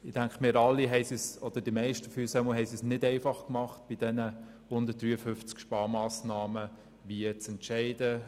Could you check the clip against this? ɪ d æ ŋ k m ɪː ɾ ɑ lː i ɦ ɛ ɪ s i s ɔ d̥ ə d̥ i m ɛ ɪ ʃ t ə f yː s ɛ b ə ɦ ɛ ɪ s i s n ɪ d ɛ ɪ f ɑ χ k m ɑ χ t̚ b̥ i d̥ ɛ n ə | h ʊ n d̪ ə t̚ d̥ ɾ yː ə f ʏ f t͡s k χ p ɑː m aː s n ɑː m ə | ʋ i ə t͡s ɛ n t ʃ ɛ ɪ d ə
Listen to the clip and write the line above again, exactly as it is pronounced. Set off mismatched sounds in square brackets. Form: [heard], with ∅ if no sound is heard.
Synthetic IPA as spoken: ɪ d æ ŋ k m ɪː ɾ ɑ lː i ɦ ɛ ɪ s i s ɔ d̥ ə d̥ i m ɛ ɪ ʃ t ə f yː s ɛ [m] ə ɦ ɛ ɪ s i s n ɪ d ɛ ɪ f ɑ χ k m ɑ χ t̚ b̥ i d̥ ɛ n ə | h ʊ n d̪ ə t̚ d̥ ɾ yː ə f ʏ f t͡s k [ʃ] p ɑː m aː s n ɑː m ə | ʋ i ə t͡s ɛ n t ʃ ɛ ɪ d ə